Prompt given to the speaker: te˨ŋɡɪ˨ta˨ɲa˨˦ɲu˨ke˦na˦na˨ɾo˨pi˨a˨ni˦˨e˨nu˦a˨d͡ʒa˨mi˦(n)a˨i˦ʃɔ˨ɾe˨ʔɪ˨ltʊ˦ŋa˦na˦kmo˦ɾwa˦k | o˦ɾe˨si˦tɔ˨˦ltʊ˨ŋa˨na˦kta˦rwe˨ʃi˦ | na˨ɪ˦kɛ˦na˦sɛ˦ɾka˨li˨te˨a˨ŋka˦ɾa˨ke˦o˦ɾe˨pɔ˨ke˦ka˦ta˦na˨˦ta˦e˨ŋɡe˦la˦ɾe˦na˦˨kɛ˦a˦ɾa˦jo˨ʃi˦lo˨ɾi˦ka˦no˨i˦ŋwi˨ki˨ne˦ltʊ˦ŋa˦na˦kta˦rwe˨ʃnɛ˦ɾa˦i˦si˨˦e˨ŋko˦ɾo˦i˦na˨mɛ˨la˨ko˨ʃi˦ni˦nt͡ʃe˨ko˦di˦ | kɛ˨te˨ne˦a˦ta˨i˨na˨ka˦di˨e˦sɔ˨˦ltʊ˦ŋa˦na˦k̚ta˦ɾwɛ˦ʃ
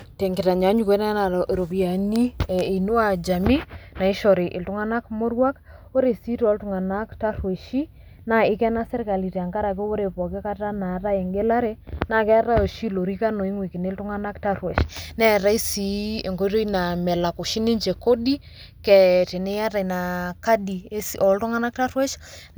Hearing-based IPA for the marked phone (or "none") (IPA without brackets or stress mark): n